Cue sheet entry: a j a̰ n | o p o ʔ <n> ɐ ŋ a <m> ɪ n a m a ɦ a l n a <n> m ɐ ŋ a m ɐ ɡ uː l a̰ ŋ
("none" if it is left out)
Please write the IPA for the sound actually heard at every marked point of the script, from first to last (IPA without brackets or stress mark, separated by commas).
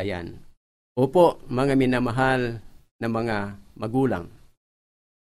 m, m, none